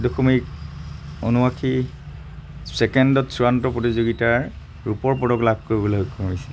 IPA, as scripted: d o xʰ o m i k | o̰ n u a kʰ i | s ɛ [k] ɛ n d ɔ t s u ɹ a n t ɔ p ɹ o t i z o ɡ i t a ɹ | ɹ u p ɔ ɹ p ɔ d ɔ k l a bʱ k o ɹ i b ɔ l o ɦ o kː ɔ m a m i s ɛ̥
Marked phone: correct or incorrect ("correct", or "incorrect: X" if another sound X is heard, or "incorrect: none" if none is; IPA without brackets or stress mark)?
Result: correct